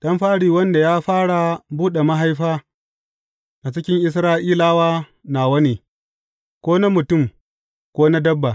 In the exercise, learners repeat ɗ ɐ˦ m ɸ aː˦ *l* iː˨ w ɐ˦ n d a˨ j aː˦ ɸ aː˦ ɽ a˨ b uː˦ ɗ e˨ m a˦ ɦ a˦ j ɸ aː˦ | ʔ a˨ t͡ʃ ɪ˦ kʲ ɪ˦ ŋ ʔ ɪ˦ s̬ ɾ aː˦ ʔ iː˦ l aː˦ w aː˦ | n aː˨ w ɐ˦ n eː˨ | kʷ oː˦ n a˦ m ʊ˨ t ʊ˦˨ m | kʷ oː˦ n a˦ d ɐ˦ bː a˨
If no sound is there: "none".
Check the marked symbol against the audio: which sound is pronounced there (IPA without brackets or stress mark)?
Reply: ɽ